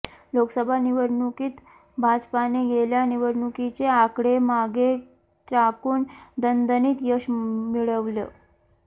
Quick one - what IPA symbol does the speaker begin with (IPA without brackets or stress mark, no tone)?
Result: l